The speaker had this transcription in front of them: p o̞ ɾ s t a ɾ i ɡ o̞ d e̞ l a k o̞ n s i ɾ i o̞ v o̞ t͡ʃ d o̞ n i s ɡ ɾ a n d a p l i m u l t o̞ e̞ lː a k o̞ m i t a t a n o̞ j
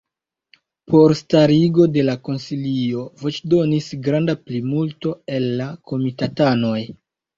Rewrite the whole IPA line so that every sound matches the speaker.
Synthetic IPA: p o̞ ɾ s t a ɾ i ɡ o̞ d e̞ l a k o̞ n s i l i o̞ v o̞ t͡ʃ d o̞ n i s ɡ ɾ a n d a p l i m u l t o̞ e̞ lː a k o̞ m i t a t a n o̞ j